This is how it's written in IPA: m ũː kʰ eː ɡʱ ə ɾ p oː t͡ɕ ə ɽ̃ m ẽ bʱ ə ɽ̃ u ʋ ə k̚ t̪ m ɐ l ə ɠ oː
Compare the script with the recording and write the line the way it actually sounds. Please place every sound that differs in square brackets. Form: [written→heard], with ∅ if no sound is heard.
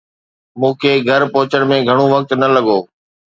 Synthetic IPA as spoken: m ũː kʰ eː ɡʱ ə ɾ p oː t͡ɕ ə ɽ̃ m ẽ [bʱ→ɡʱ] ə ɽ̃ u ʋ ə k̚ t̪ [m→n] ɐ l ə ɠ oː